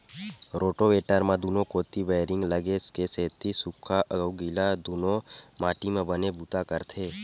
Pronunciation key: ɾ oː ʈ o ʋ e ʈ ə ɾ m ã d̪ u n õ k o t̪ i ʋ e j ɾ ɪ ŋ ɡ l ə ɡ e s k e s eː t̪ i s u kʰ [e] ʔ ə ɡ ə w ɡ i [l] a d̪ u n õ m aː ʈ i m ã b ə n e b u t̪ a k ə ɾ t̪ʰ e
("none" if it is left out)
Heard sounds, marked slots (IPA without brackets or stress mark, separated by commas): a, l